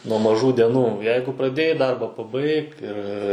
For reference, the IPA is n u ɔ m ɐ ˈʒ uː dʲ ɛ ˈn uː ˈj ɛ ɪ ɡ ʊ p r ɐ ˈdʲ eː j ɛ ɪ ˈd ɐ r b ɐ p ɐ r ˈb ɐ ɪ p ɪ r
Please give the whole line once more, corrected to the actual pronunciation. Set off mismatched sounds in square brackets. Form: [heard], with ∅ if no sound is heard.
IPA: n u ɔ m ɐ ˈʒ uː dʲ ɛ ˈn uː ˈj ɛ ɪ ɡ ʊ p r ɐ ˈdʲ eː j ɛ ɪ ˈd ɐ r b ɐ p ɐ [∅] ˈb ɐ ɪ [k] ɪ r